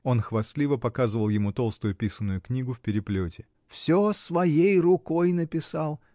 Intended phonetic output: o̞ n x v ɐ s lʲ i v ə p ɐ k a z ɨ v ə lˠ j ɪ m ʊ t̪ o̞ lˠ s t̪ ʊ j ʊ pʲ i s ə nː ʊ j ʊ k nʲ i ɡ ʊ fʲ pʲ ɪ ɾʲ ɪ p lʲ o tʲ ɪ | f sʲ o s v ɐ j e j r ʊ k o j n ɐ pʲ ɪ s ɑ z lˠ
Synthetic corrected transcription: o̞ n x v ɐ s lʲ i v ə p ɐ k a z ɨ v ə lˠ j ɪ m u t̪ o̞ lˠ s t̪ ʊ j ʊ pʲ i s ə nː ʊ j ʊ k nʲ i ɡ ʊ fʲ pʲ ɪ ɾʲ ɪ p lʲ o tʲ ɪ | f sʲ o s v ɐ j e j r ʊ k o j n ə pʲ ɪ s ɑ lˠ